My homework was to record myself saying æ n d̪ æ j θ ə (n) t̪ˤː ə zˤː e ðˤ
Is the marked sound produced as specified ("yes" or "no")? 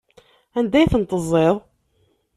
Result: yes